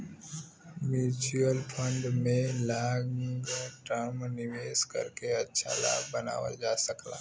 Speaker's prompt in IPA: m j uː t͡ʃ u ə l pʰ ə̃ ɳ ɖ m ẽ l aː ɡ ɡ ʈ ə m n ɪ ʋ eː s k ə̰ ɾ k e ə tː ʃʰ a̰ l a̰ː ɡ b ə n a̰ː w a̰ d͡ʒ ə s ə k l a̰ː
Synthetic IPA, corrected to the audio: m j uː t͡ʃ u ə l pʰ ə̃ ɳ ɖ m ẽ l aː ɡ ɡ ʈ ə m n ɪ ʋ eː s k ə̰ ɾ k e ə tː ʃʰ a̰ l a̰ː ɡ b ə n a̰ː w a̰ d͡ʒ a s ə k l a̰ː

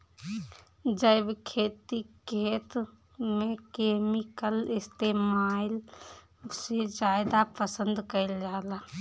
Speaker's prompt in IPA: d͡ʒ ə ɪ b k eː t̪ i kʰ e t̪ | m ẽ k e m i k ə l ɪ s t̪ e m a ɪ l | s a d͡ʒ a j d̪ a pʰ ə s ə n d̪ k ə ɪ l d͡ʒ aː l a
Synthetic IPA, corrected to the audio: d͡ʒ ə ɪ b kʰ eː t̪ i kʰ e t̪ | m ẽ k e m i k ə l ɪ s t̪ e m a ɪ l | s e d͡ʒ a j d̪ a p ə s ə n d̪ k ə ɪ l d͡ʒ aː l a

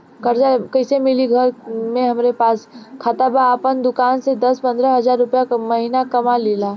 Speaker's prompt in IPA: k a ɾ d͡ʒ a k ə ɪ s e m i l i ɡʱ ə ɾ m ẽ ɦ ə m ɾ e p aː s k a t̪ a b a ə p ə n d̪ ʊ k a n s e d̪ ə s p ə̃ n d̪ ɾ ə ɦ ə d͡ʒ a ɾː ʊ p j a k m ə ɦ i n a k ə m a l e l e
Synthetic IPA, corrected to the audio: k ə ɾ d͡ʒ a k ə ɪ s e m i l i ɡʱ ə ɾ m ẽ ɦ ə m ɾ e p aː s kʰ a t̪ a b a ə p ə n d̪ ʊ k a n s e d̪ ə s p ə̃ n d̪ ɾ ə ɦ ə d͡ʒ a ɾː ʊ p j a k m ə ɦ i n a k ə m a l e l a

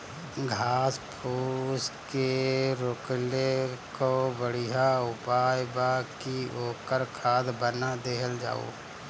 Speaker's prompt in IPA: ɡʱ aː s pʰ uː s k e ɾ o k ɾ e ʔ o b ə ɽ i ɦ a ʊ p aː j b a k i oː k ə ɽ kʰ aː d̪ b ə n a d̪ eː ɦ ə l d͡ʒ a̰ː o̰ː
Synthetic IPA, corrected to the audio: ɡʱ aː s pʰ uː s k e ɾ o k l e k o b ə ɽ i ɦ a ʊ p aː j b a k i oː k ə ɾ kʰ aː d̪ b ə n a d̪ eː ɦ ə l d͡ʒ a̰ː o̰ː

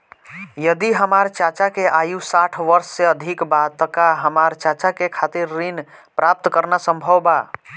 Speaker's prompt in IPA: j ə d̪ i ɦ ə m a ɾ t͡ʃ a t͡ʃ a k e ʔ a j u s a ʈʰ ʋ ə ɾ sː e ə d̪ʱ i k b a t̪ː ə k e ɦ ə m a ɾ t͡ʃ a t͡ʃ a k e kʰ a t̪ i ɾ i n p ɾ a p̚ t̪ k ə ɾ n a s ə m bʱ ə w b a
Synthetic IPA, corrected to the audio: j ə d̪ i ɦ ə m a ɾ t͡ʃ a t͡ʃ a k e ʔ a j u s a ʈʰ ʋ ə ɾ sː e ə d̪ʱ i k b a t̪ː ə k a ɦ ə m a ɾ t͡ʃ a t͡ʃ a k e kʰ a t̪ i ɾː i n p ɾ a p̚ t̪ k ə ɾ n a s ə m bʱ ə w b a

